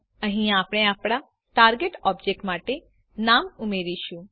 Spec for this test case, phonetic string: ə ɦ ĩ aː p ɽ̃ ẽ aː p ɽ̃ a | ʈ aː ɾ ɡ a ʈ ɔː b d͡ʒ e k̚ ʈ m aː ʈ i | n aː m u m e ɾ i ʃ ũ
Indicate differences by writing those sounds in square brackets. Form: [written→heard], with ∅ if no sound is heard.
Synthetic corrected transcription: ə ɦ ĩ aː p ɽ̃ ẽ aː p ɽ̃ a | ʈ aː ɾ ɡ [a→e] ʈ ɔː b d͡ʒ e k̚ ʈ m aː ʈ [i→e] | n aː m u m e ɾ i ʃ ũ